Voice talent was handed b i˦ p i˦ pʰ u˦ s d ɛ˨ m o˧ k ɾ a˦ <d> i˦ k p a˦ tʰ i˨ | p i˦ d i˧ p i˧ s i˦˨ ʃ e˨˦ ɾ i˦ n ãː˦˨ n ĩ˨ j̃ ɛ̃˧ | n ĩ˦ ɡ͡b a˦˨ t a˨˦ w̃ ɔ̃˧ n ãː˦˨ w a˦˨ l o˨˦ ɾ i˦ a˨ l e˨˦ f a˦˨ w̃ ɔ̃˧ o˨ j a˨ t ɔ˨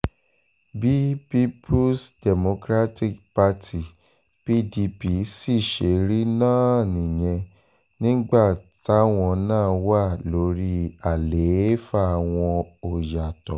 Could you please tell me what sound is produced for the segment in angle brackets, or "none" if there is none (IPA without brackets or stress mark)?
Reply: t